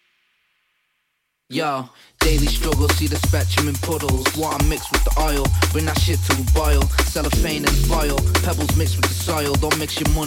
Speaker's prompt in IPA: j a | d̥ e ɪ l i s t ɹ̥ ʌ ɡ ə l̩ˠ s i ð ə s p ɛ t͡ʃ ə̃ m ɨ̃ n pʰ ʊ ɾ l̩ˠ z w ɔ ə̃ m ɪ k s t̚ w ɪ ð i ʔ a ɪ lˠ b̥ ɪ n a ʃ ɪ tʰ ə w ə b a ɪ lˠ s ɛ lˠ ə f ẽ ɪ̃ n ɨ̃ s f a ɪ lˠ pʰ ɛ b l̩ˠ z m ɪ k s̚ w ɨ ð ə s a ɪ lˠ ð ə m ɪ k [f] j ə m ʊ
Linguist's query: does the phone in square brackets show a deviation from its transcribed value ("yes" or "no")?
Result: yes